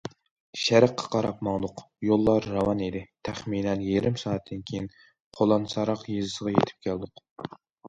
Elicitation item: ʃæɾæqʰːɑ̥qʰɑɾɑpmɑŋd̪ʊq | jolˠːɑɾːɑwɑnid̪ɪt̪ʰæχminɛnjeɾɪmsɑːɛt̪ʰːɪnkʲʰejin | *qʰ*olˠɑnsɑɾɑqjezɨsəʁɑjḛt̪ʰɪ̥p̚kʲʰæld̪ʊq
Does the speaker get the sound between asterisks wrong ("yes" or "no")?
no